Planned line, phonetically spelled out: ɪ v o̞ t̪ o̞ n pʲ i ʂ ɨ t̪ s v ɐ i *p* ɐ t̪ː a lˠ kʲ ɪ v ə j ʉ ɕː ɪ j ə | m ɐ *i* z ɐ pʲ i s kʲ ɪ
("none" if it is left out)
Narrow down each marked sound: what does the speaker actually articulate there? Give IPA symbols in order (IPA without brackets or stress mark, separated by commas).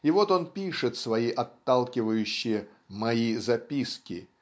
ʔ, i